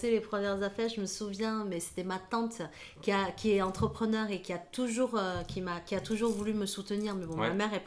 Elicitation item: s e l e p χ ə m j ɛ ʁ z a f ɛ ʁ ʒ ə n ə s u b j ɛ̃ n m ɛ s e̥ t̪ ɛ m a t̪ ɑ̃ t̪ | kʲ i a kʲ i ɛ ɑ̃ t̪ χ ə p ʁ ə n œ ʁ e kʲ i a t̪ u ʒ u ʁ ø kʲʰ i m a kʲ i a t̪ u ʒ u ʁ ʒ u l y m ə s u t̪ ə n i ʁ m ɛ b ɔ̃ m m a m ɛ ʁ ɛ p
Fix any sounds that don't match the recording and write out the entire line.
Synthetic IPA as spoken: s e l e p χ ə m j ɛ ʁ z a f ɛ ʁ ʒ ə m ə s u v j ɛ̃ m ɛ s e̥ t̪ ɛ m a t̪ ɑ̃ t̪ | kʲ i a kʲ i ɛ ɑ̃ t̪ χ ə p χ ə n œ ʁ e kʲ i a t̪ u ʒ u ʁ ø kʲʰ i m a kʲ i a t̪ u ʒ u ʁ v u l y m ə s u t̪ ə n i ʁ m ɛ b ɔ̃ m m a m ɛ ʁ ɛ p